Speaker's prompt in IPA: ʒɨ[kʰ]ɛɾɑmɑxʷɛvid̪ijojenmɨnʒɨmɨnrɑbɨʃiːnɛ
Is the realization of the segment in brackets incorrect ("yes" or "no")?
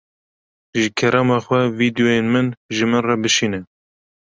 no